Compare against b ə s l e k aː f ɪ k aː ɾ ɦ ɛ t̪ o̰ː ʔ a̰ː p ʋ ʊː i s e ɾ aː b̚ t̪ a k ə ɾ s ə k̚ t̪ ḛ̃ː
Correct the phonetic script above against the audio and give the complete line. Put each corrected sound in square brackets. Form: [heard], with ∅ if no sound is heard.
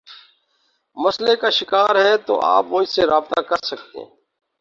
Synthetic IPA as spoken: [m] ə s l e k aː [ʃ] ɪ k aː ɾ ɦ ɛ t̪ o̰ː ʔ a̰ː p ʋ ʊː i s e ɾ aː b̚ t̪ a k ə ɾ s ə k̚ t̪ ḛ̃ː